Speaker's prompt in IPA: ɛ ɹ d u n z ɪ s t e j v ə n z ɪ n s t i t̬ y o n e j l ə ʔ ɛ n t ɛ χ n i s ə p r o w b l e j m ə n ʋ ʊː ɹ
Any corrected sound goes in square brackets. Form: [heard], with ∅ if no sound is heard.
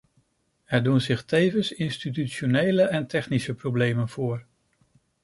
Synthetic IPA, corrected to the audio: ɛ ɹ d u n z ɪ [χ] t e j v ə n [s] ɪ n s t i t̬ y o n e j l ə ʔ ɛ n t ɛ χ n i s ə p r o w b l e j m ə n [v] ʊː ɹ